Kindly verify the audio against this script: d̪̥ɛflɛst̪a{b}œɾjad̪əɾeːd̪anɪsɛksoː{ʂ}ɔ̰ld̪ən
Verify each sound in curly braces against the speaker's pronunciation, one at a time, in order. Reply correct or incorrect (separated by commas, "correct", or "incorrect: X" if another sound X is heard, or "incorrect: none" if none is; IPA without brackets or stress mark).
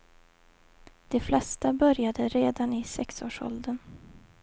correct, correct